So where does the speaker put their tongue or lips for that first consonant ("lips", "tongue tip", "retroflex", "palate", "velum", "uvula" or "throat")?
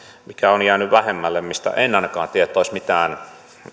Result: lips